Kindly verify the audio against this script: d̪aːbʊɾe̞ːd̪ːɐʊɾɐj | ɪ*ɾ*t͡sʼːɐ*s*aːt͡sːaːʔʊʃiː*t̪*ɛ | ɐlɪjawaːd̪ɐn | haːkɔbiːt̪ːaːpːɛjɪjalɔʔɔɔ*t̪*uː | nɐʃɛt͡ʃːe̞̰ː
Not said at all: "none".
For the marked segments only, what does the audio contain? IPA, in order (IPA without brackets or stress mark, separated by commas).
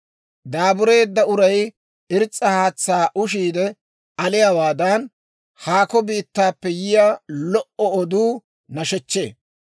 ɾ, h, d̪, d̪